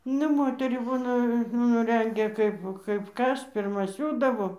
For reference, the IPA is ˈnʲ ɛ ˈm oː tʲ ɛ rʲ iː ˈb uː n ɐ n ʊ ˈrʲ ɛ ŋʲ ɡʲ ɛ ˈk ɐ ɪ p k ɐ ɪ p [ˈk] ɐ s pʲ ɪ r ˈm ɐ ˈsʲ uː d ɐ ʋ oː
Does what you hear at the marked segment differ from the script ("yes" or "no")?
no